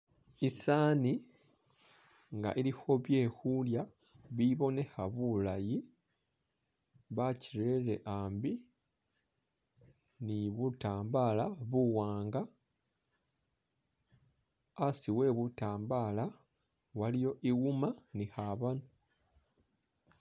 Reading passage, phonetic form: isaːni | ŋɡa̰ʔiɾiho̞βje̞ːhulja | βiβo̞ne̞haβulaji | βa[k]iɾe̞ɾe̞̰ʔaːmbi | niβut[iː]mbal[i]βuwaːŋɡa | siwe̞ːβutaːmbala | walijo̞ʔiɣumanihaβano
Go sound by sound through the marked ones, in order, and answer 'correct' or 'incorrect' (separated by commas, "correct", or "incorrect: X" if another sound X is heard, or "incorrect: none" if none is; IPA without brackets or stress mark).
incorrect: c, incorrect: aː, incorrect: a